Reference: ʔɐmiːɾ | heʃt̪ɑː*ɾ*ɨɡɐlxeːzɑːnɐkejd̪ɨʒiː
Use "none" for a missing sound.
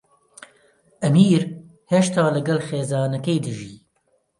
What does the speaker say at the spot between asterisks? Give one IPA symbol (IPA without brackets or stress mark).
l